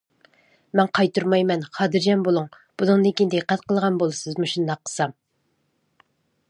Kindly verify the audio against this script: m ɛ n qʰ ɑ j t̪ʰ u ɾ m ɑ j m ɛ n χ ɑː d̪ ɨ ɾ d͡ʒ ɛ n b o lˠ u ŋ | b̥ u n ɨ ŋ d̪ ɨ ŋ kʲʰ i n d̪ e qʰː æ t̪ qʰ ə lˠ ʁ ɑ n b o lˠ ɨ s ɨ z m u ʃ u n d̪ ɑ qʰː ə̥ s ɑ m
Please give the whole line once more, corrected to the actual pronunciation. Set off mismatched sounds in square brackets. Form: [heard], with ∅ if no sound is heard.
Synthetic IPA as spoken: m ɛ n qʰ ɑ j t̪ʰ u ɾ m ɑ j m ɛ n χ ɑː d̪ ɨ ɾ d͡ʒ ɛ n b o lˠ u ŋ | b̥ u n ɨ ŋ d̪ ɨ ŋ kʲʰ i n d̪ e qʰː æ t̪ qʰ ə lˠ ʁ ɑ n b o lˠ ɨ s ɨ z m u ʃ u n d̪ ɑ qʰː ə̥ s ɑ m